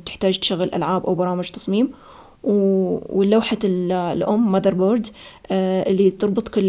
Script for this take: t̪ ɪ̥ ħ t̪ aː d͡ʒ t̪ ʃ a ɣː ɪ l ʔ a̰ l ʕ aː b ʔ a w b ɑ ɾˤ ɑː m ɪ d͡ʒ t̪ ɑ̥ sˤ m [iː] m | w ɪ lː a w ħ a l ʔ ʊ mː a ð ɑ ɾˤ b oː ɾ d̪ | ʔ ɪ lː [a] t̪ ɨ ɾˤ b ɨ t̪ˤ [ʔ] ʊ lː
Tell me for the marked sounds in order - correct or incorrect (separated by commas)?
correct, incorrect, incorrect